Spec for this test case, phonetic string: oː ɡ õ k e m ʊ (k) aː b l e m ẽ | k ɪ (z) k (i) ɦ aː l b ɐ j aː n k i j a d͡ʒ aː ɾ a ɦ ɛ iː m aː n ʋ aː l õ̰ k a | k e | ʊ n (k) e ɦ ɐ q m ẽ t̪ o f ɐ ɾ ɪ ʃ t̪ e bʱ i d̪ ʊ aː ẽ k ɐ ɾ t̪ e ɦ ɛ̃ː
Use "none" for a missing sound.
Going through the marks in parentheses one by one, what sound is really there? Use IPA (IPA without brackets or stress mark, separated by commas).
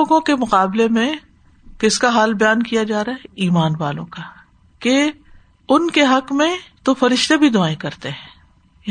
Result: q, s, a, k